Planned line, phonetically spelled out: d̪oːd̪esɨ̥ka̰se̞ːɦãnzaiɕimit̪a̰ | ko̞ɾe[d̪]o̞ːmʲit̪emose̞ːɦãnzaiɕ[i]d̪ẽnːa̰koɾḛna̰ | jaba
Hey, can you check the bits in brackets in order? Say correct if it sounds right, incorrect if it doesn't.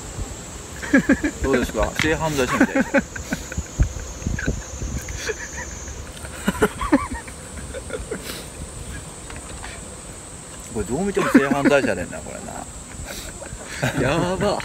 correct, incorrect: a

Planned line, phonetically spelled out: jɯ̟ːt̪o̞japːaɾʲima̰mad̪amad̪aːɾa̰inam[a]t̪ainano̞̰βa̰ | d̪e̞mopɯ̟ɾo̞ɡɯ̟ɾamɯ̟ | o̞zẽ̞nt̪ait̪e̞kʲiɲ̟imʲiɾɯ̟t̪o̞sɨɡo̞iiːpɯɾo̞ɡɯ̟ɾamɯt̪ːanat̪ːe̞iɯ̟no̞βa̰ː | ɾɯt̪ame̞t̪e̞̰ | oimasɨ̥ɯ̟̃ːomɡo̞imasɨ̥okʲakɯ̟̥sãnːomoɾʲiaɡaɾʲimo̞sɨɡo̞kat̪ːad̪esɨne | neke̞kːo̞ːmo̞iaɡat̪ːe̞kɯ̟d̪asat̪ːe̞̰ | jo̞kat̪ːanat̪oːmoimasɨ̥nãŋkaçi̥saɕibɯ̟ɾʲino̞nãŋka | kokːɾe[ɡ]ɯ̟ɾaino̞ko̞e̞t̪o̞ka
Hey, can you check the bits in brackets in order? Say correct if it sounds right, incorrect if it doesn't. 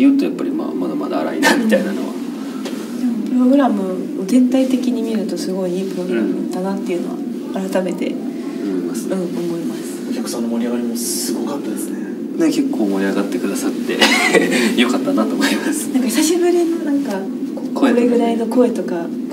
incorrect: i, correct

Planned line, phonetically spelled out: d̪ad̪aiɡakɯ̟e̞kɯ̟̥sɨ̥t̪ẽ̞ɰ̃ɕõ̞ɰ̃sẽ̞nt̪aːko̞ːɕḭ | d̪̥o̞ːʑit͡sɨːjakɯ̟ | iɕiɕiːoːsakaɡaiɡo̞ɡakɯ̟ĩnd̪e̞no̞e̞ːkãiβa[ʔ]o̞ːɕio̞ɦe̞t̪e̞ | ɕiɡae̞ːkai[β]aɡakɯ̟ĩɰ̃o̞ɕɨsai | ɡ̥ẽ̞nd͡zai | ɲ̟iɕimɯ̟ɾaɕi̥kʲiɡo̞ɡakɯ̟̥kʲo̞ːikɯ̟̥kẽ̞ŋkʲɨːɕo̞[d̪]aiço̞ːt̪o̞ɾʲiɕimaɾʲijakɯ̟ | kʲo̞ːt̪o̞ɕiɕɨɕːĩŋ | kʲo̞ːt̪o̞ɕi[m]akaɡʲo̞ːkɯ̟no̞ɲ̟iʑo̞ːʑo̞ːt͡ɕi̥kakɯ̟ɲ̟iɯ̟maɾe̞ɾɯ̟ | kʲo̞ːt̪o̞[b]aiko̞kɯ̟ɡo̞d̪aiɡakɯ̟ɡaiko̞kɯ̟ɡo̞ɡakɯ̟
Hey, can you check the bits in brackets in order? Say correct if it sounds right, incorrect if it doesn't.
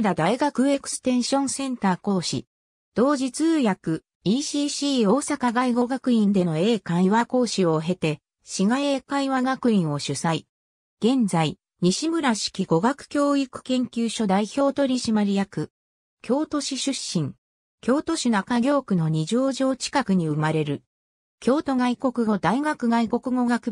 incorrect: k, correct, correct, incorrect: n, incorrect: ɡ

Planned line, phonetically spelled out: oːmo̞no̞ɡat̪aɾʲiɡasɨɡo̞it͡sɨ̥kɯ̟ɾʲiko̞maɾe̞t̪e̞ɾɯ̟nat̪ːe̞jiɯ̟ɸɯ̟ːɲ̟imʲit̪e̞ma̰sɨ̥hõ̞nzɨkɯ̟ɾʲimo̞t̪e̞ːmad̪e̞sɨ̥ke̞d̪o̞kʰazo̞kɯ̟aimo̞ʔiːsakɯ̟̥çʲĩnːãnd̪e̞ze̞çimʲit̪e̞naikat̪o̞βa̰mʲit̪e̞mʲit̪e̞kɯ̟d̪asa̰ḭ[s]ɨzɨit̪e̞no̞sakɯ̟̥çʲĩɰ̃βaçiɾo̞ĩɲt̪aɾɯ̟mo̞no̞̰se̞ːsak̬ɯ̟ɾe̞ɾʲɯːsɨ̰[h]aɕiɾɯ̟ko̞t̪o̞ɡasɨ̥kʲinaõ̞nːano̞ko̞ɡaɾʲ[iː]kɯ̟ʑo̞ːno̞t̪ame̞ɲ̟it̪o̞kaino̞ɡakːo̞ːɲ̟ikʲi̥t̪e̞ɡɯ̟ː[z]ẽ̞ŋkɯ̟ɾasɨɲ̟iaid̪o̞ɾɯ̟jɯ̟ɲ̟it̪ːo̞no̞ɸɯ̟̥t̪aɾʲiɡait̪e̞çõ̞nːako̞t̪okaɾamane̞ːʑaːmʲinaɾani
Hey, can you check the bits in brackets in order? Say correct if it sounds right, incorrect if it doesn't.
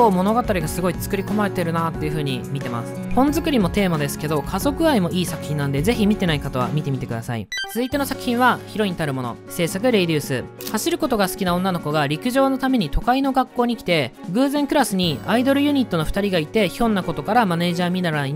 incorrect: t͡s, correct, incorrect: i, correct

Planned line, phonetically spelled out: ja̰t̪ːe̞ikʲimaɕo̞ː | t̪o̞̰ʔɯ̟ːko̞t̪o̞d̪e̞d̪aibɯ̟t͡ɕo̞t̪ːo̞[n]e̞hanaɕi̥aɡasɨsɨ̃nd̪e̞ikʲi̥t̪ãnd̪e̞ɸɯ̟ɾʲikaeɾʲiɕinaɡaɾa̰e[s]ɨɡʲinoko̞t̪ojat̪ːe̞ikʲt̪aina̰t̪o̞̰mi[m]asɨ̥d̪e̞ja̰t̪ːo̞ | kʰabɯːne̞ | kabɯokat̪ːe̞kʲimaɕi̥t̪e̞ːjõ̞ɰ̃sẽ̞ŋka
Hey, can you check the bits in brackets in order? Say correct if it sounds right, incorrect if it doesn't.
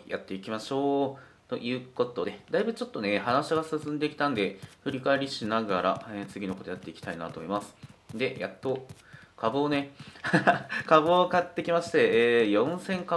correct, incorrect: t͡s, correct

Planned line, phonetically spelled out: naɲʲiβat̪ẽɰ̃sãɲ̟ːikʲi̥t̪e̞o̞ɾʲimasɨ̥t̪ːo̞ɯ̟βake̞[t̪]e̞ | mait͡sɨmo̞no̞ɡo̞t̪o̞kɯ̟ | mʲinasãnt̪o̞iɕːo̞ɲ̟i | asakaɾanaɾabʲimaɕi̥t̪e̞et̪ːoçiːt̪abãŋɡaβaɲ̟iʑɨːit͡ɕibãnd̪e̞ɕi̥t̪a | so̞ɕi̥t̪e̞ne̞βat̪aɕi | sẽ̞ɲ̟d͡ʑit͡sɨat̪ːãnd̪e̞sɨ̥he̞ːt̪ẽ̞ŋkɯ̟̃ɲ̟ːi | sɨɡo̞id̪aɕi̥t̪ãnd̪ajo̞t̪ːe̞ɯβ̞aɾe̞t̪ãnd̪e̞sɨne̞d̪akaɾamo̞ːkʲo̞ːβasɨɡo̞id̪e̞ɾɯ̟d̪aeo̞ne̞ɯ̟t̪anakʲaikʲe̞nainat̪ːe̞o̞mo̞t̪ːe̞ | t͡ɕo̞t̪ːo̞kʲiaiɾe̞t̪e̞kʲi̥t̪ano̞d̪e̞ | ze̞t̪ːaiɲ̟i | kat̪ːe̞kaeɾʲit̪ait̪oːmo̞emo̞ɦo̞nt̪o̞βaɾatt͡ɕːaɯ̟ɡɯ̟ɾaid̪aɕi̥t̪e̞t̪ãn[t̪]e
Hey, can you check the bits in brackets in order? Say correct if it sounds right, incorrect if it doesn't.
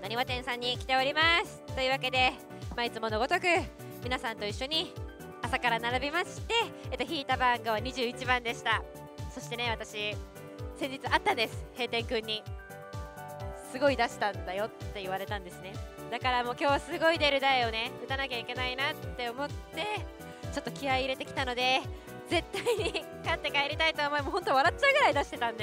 incorrect: d̪, incorrect: d̪

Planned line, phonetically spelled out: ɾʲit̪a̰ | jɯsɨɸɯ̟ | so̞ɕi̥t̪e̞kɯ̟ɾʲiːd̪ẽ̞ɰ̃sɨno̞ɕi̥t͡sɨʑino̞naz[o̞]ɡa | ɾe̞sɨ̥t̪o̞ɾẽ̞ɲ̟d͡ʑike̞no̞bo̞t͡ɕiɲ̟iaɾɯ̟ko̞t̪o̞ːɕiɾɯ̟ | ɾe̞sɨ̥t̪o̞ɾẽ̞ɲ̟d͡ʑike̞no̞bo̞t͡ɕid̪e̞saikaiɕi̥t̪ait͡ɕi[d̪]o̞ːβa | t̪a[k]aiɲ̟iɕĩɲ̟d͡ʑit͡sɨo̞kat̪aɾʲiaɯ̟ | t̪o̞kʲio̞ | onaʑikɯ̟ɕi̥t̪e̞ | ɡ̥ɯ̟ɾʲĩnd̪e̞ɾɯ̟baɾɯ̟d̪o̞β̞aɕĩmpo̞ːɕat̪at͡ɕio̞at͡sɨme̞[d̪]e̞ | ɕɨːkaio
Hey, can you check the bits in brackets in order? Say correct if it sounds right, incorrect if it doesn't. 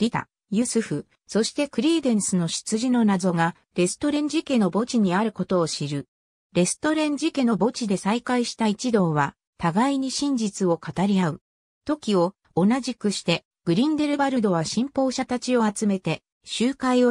correct, correct, incorrect: ɡ, incorrect: t̪

